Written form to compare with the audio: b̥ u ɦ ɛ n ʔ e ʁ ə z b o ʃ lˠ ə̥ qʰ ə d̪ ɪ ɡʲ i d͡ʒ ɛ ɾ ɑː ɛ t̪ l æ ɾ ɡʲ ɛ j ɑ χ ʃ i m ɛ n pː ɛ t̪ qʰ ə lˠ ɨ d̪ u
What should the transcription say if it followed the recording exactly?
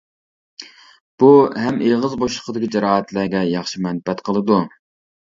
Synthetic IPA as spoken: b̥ u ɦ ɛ m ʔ e ʁ ə z b o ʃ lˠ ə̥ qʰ ə d̪ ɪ kʲ i d͡ʒ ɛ ɾ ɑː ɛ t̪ l æ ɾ ɡʲ ɛ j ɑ χ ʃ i m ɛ n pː ɛ t̪ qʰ ə lˠ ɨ d̪ u